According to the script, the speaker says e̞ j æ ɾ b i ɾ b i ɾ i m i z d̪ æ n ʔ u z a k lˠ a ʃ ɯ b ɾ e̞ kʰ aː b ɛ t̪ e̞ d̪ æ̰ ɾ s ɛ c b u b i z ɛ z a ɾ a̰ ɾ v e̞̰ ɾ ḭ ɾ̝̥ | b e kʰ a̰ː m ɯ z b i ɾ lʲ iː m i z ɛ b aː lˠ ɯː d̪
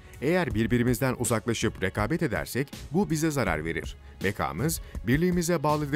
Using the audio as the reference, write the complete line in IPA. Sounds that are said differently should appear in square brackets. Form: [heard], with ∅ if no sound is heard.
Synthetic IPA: e̞ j æ ɾ b i ɾ b i ɾ i m i z d̪ æ n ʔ u z a k lˠ a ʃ ɯ [p] ɾ e̞ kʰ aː b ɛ t̪ e̞ d̪ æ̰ ɾ s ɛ c b u b i z ɛ z a ɾ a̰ ɾ v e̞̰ ɾ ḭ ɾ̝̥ | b e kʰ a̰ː m ɯ z b i ɾ lʲ iː m i z ɛ b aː lˠ [ɯ] d̪